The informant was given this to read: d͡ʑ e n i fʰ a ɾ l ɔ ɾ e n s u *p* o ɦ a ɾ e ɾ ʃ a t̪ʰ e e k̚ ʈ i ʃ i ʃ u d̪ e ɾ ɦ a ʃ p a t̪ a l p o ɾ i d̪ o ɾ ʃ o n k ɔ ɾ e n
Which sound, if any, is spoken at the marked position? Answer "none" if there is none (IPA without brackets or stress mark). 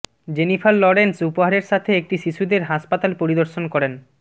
p